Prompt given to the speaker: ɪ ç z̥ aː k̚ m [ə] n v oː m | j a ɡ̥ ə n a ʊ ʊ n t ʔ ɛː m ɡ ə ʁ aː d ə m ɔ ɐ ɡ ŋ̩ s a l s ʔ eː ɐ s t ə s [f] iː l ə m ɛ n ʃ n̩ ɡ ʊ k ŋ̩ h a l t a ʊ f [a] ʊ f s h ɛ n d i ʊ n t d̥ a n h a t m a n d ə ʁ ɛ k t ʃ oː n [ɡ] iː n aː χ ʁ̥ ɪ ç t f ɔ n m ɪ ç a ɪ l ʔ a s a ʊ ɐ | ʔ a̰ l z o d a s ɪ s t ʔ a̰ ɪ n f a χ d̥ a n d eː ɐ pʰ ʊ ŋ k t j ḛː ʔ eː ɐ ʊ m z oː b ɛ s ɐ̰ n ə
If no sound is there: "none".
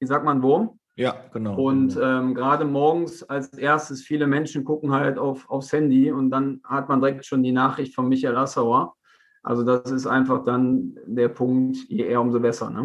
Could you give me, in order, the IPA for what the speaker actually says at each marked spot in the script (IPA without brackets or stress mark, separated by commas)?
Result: a, f, a, d